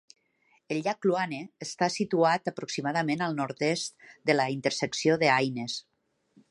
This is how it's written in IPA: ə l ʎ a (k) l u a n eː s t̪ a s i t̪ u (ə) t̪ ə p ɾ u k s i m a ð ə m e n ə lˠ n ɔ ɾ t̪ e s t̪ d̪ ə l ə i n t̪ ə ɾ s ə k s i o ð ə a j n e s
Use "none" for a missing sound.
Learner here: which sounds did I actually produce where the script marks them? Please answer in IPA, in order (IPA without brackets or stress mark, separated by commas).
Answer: k, a